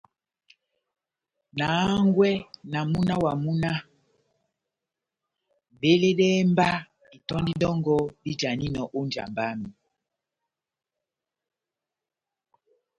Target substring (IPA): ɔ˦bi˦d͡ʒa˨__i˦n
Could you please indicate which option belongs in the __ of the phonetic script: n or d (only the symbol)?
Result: n